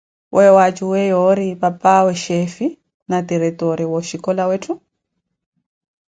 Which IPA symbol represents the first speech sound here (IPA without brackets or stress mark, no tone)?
w